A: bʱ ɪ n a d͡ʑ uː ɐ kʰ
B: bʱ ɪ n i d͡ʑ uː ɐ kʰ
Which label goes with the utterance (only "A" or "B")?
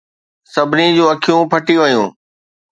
B